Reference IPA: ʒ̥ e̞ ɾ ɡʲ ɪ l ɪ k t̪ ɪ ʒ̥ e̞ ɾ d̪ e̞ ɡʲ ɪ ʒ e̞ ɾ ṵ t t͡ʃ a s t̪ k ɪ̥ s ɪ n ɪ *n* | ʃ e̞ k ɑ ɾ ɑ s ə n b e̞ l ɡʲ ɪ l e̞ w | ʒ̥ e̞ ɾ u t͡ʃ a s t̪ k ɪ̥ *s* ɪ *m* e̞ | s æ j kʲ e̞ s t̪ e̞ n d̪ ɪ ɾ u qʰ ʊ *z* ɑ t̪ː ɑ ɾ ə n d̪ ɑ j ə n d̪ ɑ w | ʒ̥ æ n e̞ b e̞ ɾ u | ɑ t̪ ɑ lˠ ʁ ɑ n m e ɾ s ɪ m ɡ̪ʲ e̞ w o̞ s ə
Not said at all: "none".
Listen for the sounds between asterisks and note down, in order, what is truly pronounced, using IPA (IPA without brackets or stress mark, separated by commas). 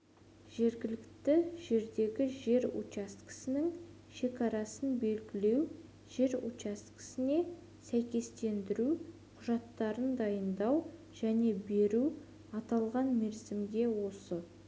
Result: ŋ, s, n, ʒ